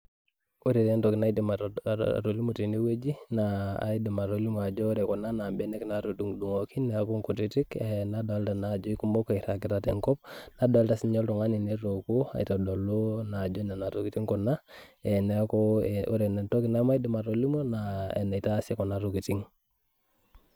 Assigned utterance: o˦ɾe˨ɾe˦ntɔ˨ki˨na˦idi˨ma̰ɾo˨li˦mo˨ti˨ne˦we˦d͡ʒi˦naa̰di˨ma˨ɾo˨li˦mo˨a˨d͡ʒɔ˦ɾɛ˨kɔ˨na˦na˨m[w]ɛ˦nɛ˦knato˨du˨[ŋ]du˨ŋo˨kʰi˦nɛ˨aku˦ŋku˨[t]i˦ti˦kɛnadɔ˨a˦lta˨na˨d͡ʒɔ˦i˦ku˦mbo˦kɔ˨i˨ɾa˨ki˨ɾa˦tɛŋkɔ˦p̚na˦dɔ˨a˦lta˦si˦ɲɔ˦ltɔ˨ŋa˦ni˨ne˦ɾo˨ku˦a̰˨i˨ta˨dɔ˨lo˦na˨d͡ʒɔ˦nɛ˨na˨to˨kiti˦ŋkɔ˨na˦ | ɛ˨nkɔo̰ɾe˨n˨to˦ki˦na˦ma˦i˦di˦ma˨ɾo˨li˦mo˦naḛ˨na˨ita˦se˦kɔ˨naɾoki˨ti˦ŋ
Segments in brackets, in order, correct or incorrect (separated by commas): incorrect, correct, correct